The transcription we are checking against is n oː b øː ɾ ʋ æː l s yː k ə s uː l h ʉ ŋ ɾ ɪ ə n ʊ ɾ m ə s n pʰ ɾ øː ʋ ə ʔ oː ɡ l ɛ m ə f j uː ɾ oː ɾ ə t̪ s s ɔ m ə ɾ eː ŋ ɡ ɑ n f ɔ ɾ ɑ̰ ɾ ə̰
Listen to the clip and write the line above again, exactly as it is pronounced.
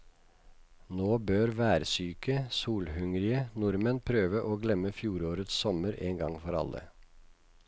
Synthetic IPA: n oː b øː ɾ ʋ æː ɾ s yː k ə s uː l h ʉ ŋ ɾ ɪ ə n ʊ ɾ m ə n pʰ ɾ øː ʋ ə ʔ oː ɡ l ɛ m ə f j uː ɾ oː ɾ ə t̪ s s ɔ m ə ɾ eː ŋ ɡ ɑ ŋ f ɔ ɾ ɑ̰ l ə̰